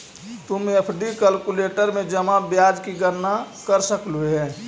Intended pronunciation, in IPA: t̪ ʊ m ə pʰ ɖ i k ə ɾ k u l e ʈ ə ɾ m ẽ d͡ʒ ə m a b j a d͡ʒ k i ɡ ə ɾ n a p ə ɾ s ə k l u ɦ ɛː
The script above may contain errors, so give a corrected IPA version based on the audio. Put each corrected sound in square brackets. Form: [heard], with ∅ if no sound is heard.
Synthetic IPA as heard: t̪ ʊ m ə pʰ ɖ i k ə [l] k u l e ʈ ə ɾ m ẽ d͡ʒ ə m a b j a d͡ʒ k i ɡ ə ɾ n a [k] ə ɾ s ə k l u ɦ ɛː